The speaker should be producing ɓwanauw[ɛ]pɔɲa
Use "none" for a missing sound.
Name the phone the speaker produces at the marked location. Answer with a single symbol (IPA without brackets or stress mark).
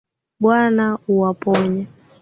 a